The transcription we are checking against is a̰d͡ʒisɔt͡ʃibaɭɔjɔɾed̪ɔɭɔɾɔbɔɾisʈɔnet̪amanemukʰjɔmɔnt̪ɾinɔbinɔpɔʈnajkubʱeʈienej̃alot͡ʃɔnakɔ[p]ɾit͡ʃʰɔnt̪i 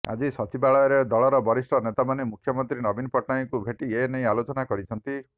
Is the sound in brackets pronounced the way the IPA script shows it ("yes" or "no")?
no